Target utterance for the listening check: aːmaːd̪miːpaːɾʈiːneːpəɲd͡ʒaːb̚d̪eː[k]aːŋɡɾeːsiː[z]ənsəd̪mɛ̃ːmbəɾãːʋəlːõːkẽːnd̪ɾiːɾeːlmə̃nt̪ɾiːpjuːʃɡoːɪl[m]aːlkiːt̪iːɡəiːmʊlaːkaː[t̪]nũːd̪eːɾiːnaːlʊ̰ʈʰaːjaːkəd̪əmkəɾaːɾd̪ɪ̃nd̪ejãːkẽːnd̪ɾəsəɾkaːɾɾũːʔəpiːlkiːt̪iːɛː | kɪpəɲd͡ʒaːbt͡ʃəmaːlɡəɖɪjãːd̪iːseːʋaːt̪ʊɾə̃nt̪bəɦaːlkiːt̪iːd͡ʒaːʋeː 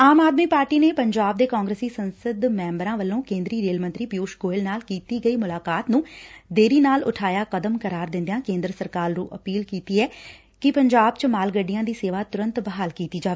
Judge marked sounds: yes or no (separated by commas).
yes, no, no, yes